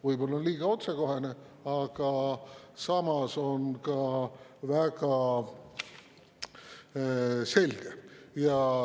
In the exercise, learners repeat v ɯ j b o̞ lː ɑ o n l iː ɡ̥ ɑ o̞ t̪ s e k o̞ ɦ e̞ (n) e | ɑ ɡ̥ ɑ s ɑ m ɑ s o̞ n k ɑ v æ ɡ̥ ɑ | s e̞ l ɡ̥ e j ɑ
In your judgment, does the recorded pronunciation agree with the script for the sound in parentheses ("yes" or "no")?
yes